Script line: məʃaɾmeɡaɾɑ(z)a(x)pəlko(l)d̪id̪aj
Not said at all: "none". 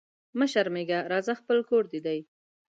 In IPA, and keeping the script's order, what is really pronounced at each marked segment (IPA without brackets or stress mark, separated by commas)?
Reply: z, x, ɾ